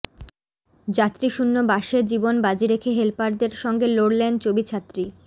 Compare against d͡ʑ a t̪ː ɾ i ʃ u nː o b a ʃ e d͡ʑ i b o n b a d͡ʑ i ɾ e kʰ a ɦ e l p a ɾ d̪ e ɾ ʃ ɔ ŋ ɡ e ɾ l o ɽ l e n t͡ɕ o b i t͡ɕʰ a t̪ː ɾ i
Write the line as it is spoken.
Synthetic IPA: d͡ʑ a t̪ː ɾ i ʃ u nː o b a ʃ e d͡ʑ i b o n b a d͡ʑ i ɾ e kʰ e ɦ e l p a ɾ d̪ e ɾ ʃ ɔ ŋ ɡ e l o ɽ l e n t͡ɕ o b i t͡ɕʰ a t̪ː ɾ i